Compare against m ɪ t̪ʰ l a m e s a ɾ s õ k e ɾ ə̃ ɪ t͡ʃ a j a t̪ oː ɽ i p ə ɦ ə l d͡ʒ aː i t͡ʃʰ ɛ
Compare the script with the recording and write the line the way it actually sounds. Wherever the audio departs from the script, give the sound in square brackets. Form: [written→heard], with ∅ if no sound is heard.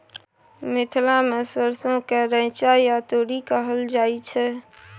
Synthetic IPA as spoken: m ɪ t̪ʰ l a m e s [a→ə] ɾ s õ k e ɾ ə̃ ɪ t͡ʃ a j a t̪ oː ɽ i [p→k] ə ɦ ə l d͡ʒ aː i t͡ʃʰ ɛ